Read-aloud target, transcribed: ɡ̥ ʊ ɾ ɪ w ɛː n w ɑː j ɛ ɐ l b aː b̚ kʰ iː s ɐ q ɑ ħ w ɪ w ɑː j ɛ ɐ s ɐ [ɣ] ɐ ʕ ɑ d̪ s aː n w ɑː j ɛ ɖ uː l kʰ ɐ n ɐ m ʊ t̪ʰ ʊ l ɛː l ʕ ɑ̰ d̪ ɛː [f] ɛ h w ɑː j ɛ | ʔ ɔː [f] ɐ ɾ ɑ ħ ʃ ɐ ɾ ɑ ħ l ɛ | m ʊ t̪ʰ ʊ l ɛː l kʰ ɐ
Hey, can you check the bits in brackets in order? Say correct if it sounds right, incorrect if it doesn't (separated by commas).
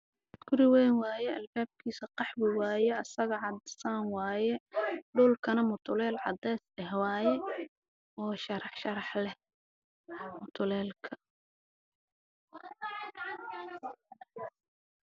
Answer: correct, incorrect, incorrect